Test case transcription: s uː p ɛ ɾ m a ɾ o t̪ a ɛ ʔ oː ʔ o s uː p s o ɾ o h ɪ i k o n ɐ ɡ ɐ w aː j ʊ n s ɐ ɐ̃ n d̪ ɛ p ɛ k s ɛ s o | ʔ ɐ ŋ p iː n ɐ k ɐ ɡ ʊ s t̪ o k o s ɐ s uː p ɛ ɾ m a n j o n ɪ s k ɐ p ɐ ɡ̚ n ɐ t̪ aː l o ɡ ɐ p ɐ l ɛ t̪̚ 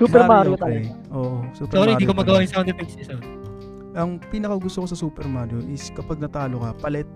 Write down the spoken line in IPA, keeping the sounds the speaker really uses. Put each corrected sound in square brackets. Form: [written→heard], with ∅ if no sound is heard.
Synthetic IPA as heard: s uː p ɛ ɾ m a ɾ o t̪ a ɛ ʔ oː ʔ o s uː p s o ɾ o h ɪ i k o [n→m] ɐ ɡ ɐ w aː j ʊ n s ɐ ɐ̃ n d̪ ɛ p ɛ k s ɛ s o | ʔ ɐ ŋ p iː n ɐ k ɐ ɡ ʊ s t̪ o k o s ɐ s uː p ɛ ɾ m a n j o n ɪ s k ɐ p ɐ ɡ̚ n ɐ t̪ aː l o [ɡ→k] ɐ p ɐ l ɛ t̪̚